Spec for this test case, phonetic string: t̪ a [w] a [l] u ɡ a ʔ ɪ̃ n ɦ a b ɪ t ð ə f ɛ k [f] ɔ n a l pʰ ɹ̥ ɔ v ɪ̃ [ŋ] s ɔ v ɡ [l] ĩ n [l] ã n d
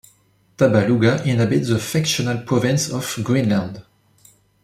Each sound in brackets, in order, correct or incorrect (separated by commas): incorrect, correct, incorrect, incorrect, incorrect, correct